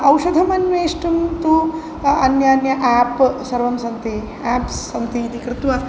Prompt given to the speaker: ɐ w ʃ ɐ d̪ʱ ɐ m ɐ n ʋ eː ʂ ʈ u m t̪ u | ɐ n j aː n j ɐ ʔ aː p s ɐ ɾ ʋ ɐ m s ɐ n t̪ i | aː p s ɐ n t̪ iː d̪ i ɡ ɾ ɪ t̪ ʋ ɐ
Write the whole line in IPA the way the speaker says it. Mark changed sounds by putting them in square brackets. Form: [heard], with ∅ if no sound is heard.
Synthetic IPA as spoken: ɐ w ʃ ɐ d̪ʱ ɐ m ɐ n ʋ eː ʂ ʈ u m t̪ u | ɐ n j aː n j ɐ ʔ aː p s ɐ ɾ ʋ ɐ m s ɐ n t̪ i | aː p s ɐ n t̪ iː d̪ i [k] ɾ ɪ t̪ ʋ ɐ